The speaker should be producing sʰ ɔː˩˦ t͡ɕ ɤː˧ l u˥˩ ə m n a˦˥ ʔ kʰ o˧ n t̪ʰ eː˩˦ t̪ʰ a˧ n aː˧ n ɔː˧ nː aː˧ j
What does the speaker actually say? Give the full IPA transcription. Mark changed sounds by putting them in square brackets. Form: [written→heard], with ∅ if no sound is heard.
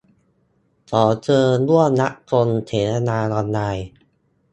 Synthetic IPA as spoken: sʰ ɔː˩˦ t͡ɕ ɤː˧ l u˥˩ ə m n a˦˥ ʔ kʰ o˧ n t̪ʰ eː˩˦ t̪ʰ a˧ n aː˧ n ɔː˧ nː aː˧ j